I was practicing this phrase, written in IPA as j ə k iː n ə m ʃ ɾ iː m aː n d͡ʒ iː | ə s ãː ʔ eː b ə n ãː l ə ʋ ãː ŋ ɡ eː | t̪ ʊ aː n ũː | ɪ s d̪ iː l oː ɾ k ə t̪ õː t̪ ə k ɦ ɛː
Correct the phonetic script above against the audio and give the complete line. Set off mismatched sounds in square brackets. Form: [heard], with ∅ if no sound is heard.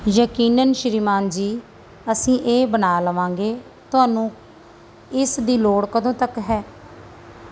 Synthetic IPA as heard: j ə k iː n ə [n] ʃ ɾ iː m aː n d͡ʒ iː | ə s [ĩː] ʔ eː b ə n [aː] l ə ʋ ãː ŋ ɡ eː | t̪ ʊ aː n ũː | ɪ s d̪ iː l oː [ɽ] k ə [d̪] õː t̪ ə k ɦ ɛː